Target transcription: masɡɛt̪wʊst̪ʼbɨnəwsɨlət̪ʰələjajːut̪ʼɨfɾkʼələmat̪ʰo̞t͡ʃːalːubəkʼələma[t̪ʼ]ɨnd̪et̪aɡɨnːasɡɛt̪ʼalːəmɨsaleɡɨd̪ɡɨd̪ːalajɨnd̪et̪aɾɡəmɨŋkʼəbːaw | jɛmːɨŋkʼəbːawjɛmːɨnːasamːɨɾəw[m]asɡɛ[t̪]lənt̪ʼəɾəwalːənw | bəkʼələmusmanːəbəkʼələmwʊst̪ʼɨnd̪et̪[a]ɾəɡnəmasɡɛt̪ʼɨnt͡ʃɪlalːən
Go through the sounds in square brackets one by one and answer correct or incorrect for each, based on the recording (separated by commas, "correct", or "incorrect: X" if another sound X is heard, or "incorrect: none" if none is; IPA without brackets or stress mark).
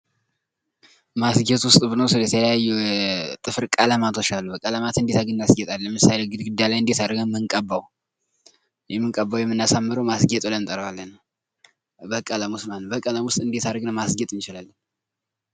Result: incorrect: t̪, correct, incorrect: t̪ʼ, correct